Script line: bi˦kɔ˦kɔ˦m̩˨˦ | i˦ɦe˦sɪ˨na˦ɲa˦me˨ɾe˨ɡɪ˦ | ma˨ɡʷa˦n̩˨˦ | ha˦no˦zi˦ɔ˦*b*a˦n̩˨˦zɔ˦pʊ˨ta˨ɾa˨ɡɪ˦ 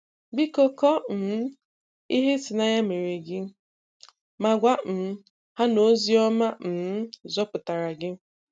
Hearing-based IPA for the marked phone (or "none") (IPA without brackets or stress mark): m